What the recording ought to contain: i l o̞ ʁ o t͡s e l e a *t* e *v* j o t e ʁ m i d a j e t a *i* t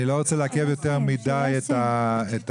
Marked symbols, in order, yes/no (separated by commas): no, yes, no